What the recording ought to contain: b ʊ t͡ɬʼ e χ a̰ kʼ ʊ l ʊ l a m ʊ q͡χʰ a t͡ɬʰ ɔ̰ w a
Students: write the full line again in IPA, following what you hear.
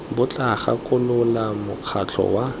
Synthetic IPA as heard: b ʊ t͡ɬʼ a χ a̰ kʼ ʊ l ʊ l a m ʊ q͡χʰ a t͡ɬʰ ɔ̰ w a

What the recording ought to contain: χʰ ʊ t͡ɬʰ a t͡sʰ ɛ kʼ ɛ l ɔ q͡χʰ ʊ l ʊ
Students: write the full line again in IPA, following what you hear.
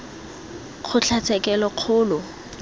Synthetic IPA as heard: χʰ ʊ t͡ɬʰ a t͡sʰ ɛ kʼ ɛ l ɔ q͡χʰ ʊː l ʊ

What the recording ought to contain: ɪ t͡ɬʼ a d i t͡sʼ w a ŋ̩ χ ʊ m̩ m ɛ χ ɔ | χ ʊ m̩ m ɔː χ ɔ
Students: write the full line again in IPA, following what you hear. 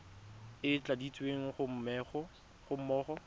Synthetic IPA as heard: ɪ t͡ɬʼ a d i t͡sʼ w e ŋ̩ χ ʊ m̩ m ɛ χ ɔ | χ ʊ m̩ m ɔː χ ɔ

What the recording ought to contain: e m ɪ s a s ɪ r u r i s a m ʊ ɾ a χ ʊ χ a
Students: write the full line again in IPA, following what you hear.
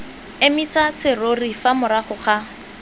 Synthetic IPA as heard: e m i s a s ɪ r o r i f a m ʊ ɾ a χ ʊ χ a

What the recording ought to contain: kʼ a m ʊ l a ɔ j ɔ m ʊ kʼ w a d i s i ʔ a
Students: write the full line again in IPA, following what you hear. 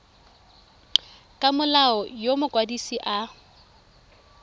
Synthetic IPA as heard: kʼ a m ʊ l a ɔ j o m ʊ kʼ w a d i s i ʔ a

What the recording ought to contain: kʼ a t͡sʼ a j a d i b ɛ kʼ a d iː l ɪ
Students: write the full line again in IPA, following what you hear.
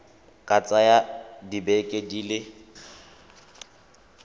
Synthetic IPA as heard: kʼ a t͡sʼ a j a d i b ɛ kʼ e d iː l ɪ

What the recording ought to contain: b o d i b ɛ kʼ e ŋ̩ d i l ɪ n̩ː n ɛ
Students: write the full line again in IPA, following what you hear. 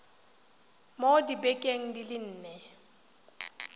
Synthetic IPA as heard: m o d i b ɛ kʼ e ŋ̩ d i l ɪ n̩ː n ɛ

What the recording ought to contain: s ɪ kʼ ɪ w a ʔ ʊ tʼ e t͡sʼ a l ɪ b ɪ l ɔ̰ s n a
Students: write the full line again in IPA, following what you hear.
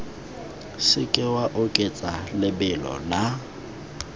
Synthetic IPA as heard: s ɪ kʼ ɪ w a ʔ ʊ kʼ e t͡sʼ a l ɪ b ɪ l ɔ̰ n a

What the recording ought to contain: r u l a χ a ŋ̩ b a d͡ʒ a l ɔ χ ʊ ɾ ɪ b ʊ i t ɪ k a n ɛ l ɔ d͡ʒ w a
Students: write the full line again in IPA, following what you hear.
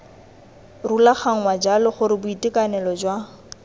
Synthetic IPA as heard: r u l a χ a ŋ̩ w a d͡ʒ a l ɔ χ ʊ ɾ ɪ b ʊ i t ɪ k a n ɛ l ɔ d͡ʒ w a

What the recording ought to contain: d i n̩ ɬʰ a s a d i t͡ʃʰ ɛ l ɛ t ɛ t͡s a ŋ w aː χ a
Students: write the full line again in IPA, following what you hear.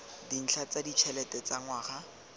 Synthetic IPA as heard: d i n̩ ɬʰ a t͡s a d i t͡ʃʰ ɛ l ɛ t ɛ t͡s a ŋ w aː χ a

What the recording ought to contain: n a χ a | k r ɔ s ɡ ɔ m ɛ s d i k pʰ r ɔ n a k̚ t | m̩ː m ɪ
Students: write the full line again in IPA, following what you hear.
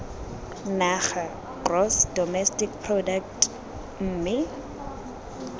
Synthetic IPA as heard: n a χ a | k r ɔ s d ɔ m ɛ s t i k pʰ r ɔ d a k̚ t | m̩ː m ɪ

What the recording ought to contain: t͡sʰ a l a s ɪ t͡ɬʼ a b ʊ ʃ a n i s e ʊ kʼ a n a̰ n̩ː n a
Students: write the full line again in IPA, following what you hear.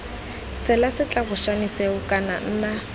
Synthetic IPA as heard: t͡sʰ ɛ l a s ɪ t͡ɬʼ a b ʊ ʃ a n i s e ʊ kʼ a n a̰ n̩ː n a

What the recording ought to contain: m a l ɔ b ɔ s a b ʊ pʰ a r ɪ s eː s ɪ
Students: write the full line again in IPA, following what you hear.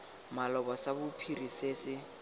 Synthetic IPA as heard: m a l ɔ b ɔ s a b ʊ pʰ i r i s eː s ɪ

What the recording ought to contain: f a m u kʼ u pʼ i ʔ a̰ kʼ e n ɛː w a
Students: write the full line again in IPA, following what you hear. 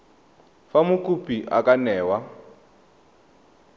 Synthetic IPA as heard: f a m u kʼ u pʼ i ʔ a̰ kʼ a n ɛː w a

